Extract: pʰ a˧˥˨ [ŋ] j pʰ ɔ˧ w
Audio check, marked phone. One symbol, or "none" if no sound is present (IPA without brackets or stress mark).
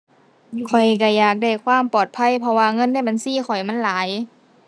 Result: none